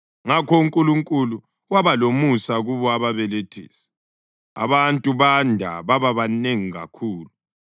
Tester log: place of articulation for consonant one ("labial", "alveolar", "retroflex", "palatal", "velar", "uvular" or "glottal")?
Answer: velar